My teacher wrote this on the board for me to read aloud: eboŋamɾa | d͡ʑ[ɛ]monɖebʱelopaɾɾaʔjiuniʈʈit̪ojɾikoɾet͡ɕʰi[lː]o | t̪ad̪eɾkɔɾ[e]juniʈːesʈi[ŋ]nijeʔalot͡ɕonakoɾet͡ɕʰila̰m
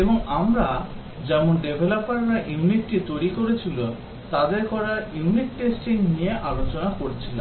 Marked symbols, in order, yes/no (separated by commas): yes, no, no, yes